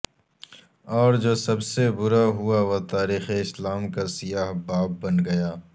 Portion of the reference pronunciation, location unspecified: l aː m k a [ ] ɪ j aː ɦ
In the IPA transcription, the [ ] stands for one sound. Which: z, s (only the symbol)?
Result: s